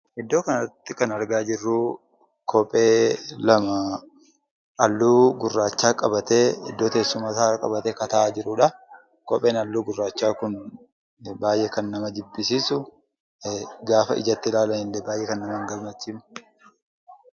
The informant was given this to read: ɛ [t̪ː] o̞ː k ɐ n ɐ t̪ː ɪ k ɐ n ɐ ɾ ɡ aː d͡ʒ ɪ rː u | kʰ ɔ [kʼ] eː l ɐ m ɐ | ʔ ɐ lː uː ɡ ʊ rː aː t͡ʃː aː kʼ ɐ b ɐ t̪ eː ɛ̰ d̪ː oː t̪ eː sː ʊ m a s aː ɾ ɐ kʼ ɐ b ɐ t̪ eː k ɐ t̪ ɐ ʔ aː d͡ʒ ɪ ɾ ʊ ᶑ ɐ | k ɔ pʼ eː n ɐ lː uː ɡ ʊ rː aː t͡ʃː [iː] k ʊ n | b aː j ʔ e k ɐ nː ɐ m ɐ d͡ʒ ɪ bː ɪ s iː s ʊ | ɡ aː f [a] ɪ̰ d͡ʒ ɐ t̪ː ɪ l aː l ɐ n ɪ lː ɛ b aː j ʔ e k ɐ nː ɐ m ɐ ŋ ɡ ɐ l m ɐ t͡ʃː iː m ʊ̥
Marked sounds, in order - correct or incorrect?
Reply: incorrect: d̪ː, incorrect: pʼ, incorrect: aː, incorrect: ɐ

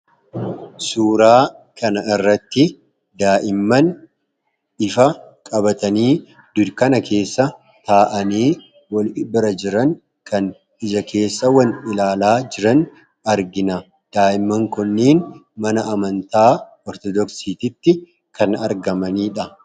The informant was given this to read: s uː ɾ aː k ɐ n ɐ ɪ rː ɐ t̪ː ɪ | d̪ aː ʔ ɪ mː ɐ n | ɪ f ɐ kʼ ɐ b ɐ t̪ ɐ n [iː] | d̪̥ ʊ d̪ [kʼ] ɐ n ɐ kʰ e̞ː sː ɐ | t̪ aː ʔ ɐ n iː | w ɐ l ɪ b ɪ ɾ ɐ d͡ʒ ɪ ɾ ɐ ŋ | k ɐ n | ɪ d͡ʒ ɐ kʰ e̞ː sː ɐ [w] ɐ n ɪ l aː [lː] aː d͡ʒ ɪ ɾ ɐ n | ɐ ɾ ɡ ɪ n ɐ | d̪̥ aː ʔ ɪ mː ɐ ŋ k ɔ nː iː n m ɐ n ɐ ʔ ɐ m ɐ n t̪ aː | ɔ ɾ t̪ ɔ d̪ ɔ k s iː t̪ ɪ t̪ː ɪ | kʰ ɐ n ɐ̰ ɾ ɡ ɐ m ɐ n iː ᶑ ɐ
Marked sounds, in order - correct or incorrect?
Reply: correct, incorrect: k, correct, incorrect: l

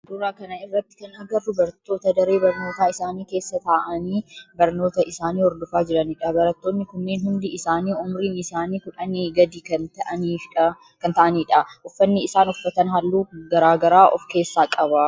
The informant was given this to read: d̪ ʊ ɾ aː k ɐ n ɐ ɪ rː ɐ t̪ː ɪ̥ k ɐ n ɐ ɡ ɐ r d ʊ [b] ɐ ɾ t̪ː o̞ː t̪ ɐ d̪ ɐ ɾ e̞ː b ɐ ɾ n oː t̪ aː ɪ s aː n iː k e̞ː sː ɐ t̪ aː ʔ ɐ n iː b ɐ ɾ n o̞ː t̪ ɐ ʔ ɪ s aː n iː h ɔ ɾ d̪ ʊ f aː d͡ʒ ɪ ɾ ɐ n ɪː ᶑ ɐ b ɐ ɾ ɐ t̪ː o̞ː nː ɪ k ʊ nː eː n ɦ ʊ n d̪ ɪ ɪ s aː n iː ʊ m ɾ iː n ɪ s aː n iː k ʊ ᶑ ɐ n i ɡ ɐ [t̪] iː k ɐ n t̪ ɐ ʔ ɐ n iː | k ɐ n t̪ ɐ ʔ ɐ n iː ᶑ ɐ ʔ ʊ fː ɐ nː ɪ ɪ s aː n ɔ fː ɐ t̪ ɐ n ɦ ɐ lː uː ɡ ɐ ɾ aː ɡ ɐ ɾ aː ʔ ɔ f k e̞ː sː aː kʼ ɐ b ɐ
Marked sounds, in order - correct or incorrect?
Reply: correct, incorrect: d̪

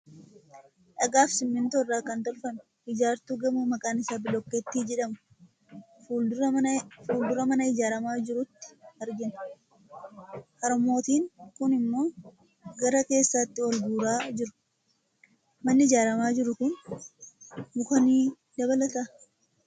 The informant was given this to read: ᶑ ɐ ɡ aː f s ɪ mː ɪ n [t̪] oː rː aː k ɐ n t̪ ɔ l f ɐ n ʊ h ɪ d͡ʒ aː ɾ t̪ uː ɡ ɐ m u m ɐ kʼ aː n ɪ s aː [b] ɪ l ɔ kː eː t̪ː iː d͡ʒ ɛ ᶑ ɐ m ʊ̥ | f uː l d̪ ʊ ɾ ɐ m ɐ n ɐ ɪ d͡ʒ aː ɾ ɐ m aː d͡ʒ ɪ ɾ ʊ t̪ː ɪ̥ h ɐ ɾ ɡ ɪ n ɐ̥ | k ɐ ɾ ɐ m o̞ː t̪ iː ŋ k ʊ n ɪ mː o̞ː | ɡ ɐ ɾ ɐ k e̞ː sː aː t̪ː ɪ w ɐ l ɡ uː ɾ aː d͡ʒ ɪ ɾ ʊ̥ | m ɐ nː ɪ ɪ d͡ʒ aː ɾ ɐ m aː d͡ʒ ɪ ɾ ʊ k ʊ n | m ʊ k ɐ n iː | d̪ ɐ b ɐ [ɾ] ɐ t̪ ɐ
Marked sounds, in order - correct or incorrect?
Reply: correct, correct, incorrect: l

